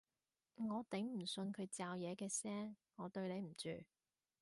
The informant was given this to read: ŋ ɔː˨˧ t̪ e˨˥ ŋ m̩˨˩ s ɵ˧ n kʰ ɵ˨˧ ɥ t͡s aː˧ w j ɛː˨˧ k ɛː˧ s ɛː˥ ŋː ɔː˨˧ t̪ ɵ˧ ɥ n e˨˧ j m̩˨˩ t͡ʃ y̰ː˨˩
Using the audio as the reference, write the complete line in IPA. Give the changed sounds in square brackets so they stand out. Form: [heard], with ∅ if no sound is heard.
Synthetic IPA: ŋ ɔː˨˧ t̪ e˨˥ ŋ m̩˨˩ s ɵ˧ n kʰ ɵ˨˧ ɥ t͡s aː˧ w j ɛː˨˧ k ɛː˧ s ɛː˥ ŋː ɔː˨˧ t̪ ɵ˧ ɥ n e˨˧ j m̩˨˩ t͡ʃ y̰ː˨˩